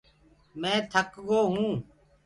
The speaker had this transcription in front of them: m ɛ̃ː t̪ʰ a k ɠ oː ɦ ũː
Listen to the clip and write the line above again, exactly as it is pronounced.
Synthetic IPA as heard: m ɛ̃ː t̪ʰ ə k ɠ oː ɦ ũː